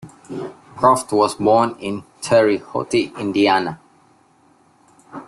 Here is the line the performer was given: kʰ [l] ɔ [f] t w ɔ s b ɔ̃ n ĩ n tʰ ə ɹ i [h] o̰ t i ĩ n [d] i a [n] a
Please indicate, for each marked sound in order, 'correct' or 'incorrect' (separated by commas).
incorrect, correct, correct, correct, correct